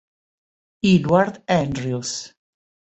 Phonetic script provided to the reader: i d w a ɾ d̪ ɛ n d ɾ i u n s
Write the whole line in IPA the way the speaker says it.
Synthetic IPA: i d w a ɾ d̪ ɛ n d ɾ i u s